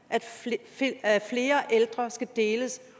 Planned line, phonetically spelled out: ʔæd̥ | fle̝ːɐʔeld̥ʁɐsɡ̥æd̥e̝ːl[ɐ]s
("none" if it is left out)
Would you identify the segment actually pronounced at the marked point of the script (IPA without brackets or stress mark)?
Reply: ə